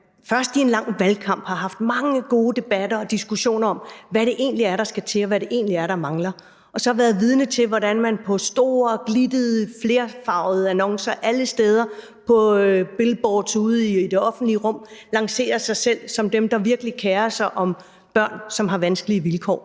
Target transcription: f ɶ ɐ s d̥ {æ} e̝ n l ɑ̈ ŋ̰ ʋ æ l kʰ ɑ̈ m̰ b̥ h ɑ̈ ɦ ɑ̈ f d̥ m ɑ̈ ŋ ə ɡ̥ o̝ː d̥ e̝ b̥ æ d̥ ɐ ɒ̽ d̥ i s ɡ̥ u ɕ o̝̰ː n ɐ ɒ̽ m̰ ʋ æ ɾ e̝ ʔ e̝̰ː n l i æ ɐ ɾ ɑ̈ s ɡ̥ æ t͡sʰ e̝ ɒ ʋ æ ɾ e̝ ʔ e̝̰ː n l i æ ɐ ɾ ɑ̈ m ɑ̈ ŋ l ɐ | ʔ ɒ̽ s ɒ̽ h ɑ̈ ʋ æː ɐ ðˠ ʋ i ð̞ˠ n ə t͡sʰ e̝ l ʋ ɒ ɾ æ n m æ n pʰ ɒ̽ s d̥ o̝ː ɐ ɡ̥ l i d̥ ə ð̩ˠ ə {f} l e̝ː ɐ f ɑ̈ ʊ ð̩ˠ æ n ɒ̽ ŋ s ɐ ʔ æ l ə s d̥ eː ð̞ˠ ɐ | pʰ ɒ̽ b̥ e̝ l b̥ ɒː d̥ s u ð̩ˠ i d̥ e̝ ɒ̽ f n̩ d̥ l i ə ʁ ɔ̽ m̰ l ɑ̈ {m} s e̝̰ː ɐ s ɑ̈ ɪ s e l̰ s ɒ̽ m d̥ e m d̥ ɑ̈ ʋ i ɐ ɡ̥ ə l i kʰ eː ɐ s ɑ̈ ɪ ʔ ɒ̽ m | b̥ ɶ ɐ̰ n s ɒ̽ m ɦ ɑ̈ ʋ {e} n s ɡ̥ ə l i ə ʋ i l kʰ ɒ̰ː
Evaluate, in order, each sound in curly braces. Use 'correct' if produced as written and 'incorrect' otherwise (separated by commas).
incorrect, correct, incorrect, incorrect